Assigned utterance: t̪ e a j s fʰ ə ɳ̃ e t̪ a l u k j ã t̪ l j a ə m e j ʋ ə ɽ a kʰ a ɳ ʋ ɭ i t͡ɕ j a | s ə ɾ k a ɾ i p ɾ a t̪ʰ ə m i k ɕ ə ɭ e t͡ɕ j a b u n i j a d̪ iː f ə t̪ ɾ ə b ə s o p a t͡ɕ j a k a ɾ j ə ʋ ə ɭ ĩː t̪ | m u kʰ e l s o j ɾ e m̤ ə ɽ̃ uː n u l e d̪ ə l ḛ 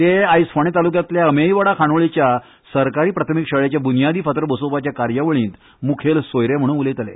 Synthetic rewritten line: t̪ e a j s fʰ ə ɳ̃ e t̪ a l u k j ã t̪ l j a ə m e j ʋ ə ɽ a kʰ a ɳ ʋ ɭ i t͡ɕ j a | s ə ɾ k a ɾ iː p ɾ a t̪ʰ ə m i k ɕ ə ɭ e t͡ɕ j a b u n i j a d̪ iː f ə t̪ ɾ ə b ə s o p a t͡ɕ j a k a ɾ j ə ʋ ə ɭ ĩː t̪ | m u kʰ e l s o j ɾ e m̤ ə ɽ̃ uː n u l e t̪ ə l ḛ